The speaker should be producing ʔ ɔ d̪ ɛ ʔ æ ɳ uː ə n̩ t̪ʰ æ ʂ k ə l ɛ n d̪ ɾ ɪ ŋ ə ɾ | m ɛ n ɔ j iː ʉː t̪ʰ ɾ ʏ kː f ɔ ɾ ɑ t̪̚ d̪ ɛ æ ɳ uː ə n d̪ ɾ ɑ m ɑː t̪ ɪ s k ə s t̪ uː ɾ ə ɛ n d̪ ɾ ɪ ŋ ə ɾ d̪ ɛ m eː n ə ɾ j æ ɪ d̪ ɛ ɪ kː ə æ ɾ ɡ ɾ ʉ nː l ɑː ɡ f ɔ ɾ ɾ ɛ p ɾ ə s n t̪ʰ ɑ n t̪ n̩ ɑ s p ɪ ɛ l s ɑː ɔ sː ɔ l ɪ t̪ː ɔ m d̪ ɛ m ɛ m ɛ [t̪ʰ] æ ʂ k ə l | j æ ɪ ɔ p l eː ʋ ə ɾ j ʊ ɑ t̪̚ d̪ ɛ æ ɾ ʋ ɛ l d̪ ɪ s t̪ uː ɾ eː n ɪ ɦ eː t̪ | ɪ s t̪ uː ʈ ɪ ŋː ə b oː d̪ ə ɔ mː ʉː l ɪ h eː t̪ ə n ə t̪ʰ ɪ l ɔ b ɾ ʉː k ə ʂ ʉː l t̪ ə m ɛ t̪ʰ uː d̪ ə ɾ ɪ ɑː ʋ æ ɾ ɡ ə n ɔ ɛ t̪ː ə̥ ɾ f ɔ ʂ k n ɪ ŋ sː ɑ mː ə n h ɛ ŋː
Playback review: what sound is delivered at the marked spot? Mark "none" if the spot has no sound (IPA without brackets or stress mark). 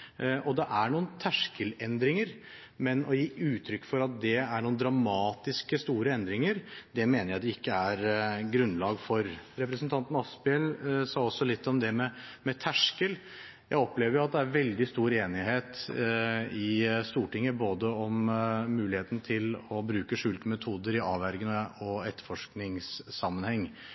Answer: t̪ʰ